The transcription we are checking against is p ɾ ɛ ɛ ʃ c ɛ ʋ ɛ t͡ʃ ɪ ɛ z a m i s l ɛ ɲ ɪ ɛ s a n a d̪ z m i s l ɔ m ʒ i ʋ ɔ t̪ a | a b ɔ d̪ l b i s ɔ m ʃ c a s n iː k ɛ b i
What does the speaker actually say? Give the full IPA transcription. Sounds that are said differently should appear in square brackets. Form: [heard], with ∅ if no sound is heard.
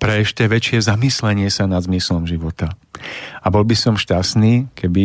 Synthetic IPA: p ɾ ɛ ɛ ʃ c ɛ ʋ ɛ t͡ʃ ɪ ɛ z a m i s l ɛ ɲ ɪ ɛ s a n a d̪ z m i s l ɔ m ʒ i ʋ ɔ t̪ a | a b ɔ [∅] l b i s ɔ m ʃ c a s n iː k ɛ b i